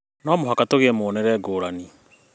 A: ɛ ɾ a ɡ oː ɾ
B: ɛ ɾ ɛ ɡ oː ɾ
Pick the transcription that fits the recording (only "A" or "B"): B